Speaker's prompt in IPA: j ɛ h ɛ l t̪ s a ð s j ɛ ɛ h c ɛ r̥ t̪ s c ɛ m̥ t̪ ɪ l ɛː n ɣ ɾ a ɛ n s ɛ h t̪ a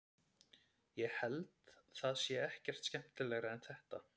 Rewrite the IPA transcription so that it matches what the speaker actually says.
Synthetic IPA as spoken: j ɛ h ɛ l t̪ θ a ð s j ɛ ɛ h c ɛ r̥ t̪ s c ɛ m̥ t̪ ɪ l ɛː ɣ ɾ a ɛ n θ ɛ h t̪ a